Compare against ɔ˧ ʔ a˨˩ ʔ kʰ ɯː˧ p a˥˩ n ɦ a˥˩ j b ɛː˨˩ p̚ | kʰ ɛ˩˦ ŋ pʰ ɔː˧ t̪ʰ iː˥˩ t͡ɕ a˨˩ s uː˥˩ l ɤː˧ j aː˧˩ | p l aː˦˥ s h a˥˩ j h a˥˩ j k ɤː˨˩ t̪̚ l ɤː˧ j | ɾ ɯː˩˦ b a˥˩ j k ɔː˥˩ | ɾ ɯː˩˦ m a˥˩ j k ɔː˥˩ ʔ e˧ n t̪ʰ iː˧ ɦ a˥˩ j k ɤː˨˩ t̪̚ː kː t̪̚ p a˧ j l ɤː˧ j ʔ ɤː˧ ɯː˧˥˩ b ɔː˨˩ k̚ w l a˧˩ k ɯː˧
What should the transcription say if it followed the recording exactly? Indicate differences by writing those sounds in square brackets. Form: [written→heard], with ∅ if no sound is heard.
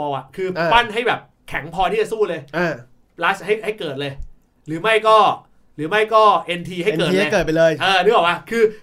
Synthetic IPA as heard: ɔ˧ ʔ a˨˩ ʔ kʰ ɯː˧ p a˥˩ n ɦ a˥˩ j b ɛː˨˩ p̚ | kʰ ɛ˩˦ ŋ pʰ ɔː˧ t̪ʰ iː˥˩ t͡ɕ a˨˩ s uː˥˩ l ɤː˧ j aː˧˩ | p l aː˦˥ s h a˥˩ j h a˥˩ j k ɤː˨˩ t̪̚ l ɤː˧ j | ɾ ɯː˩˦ [b→m] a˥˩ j k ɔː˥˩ | ɾ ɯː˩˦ m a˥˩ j k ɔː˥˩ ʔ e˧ n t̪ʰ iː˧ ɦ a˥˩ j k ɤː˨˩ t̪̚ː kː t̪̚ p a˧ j l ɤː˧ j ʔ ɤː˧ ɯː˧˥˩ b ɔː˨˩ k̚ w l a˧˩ [k→kʰ] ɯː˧